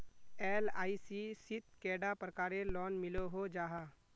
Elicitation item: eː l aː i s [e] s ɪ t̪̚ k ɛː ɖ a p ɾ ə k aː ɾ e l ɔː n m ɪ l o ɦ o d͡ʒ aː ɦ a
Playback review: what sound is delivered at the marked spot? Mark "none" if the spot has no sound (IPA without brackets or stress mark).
i